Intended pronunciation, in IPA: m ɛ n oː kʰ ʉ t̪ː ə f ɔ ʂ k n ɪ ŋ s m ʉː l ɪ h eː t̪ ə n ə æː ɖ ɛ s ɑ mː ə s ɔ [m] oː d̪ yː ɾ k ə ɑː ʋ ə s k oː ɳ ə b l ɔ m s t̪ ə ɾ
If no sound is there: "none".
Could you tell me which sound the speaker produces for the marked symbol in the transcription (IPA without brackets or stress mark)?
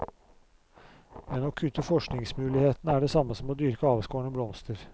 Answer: m